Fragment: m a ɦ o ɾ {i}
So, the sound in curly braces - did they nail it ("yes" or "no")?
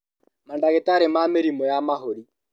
yes